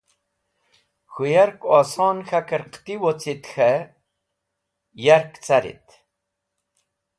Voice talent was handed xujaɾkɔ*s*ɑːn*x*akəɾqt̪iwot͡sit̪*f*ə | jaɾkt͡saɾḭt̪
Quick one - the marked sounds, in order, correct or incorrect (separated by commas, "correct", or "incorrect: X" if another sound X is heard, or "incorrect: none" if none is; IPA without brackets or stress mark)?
correct, correct, incorrect: x